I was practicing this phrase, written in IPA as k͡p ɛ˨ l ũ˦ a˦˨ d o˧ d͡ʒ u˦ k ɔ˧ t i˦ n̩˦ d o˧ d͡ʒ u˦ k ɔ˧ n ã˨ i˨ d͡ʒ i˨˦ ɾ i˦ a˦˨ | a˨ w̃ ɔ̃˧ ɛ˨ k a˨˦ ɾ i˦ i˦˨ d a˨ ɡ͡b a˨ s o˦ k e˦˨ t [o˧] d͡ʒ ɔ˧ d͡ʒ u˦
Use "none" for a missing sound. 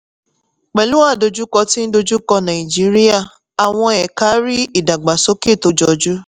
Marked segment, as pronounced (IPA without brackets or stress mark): o˧